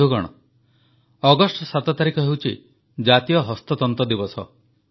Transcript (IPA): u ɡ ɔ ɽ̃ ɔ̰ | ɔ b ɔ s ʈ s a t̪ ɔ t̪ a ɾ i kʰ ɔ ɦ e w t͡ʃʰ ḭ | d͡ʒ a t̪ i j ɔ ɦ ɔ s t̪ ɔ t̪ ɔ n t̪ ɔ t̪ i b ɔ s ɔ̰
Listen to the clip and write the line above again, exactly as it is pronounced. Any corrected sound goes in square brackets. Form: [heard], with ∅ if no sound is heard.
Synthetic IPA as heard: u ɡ ɔ ɽ̃ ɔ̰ | ɔ [ɡ] ɔ s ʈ s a t̪ ɔ t̪ a ɾ i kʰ ɔ ɦ e w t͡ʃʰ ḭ | d͡ʒ a t̪ i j ɔ ɦ ɔ s t̪ ɔ t̪ ɔ n t̪ ɔ [d̪] i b ɔ s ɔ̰